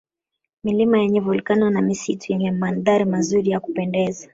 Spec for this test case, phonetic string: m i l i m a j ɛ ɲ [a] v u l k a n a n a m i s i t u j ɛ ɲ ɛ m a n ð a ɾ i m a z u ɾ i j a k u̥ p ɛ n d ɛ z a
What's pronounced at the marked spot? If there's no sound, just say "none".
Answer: ɛ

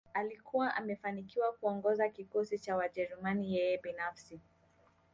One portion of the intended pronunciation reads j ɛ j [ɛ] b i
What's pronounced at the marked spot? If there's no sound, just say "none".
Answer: ɛ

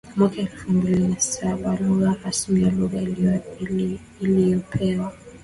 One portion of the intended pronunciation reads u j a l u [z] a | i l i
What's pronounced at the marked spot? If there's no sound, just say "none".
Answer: ɣ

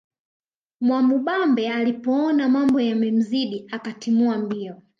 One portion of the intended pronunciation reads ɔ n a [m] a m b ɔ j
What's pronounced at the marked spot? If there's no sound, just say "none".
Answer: m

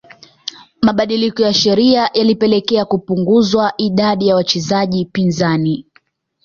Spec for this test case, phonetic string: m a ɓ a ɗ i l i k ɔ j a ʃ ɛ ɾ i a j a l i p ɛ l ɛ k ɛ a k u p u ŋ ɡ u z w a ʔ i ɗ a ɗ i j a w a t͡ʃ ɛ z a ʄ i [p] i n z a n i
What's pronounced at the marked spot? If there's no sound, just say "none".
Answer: p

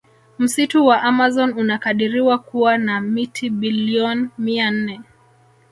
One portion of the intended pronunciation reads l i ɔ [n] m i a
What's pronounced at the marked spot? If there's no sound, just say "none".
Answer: n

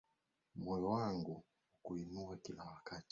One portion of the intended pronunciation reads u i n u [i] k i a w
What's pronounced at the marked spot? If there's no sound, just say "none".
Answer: a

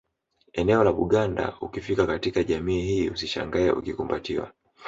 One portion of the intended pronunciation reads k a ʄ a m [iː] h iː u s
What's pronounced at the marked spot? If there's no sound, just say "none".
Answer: iː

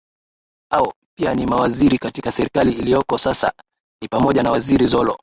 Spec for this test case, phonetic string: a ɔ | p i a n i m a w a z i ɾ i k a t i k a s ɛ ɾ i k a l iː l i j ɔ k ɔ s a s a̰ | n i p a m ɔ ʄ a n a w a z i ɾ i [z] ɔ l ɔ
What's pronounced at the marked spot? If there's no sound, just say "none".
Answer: z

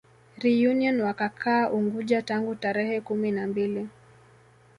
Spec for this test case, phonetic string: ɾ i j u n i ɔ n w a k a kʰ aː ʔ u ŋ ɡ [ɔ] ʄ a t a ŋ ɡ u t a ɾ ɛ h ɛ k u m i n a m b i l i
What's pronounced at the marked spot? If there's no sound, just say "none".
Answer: u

